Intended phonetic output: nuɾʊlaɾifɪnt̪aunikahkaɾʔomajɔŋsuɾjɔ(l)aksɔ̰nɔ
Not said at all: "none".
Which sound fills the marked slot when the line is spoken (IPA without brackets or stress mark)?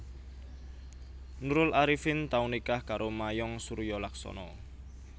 l